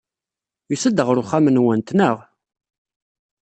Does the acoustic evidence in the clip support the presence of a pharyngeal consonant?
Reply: no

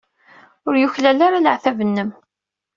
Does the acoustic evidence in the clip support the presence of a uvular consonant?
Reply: no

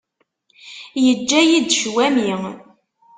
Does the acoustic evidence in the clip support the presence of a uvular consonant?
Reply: no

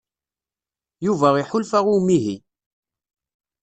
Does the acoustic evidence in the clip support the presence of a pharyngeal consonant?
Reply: yes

